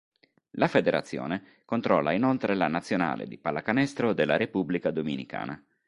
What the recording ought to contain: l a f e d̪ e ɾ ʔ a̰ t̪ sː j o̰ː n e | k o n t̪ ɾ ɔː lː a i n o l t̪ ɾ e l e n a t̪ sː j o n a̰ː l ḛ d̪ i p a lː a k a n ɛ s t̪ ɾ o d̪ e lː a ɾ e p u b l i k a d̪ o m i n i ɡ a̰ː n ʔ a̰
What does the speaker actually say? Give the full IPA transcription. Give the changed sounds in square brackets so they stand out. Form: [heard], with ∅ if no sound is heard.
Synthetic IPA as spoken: l a f e d̪ e ɾ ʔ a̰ t̪ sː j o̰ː n e | k o n t̪ ɾ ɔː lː a i n o l t̪ ɾ e l [a] n a t̪ sː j o n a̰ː l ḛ d̪ i p a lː a k a n ɛ s t̪ ɾ o d̪ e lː a ɾ e p u b l i k a d̪ o m i n i [k] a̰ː n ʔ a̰